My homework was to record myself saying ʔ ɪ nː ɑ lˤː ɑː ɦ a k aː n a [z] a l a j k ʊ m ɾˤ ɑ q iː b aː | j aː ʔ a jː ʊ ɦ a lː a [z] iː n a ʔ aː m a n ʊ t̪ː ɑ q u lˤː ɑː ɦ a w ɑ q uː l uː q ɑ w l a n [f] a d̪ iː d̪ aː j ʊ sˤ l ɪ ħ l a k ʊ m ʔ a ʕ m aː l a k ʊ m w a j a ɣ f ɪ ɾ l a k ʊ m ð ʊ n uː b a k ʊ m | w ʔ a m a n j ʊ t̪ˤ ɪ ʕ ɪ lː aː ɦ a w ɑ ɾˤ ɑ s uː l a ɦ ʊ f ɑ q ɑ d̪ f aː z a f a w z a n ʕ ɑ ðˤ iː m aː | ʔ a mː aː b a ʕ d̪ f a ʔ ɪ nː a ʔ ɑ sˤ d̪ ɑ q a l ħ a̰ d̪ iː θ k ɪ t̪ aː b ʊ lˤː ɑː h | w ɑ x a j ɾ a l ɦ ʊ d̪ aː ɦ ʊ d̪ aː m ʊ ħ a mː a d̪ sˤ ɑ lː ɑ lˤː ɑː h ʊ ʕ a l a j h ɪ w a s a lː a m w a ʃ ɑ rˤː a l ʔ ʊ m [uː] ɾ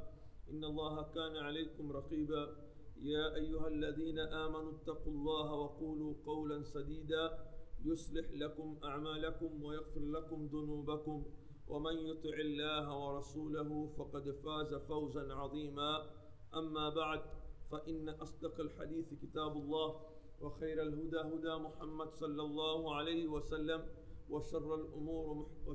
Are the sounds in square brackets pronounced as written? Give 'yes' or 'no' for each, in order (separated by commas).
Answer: no, no, no, yes